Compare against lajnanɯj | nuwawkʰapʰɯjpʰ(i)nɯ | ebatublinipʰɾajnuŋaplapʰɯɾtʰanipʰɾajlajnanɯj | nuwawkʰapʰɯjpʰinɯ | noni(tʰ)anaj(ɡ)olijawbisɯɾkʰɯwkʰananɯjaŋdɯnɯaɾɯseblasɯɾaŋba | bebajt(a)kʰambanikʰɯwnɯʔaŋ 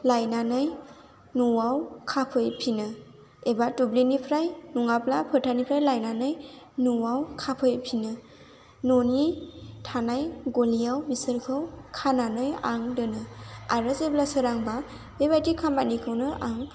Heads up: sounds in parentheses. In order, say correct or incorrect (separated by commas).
correct, correct, correct, incorrect